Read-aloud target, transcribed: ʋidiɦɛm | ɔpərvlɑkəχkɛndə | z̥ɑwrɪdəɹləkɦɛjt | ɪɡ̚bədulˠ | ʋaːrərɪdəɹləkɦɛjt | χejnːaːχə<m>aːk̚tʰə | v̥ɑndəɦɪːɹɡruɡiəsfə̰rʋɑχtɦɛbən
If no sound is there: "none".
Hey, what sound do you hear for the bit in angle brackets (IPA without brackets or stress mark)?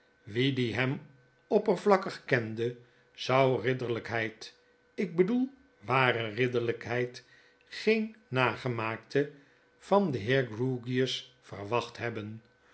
m